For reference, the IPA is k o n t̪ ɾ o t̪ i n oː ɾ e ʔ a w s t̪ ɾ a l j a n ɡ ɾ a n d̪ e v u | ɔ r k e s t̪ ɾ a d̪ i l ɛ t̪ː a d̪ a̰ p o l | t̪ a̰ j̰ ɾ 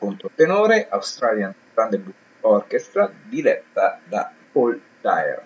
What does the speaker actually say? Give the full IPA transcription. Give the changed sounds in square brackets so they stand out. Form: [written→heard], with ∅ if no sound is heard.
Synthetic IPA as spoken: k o n t̪ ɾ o t̪ [i→e] n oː ɾ e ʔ a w s t̪ ɾ a l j a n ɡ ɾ a n d̪ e [v→b] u | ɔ r k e s t̪ ɾ a d̪ i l ɛ t̪ː a d̪ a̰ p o l | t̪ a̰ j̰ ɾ